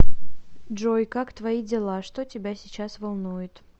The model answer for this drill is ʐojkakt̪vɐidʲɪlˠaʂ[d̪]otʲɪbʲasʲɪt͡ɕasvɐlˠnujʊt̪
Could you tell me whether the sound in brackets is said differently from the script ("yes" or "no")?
yes